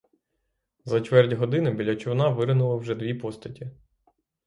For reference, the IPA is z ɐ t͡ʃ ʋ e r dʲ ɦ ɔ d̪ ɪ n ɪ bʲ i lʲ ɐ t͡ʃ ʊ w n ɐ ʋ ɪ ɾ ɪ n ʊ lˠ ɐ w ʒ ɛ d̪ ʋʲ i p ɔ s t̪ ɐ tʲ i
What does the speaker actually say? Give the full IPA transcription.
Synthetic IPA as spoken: z ɐ t͡ʃ ʋ ɛ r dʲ ɦ ɔ d̪ ɪ n ɪ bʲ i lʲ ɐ t͡ʃ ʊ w n ɑ ʋ ɪ ɾ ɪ n ʊ lˠ ɐ w ʒ ɛ d̪ ʋʲ i p ɔ s t̪ ɐ tʲ i